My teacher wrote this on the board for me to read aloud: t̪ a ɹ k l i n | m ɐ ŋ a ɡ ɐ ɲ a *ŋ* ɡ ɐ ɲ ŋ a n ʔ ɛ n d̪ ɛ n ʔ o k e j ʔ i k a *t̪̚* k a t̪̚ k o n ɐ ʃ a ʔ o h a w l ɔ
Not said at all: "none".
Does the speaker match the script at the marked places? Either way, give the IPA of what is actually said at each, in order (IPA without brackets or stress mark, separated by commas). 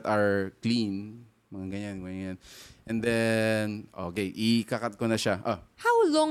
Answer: n, none